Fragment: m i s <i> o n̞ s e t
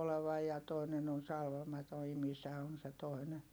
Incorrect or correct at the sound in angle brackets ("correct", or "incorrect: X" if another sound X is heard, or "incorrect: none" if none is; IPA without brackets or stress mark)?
incorrect: æ